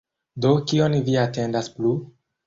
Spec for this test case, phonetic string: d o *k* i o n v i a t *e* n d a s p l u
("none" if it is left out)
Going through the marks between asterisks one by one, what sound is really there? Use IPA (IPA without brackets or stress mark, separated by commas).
k, e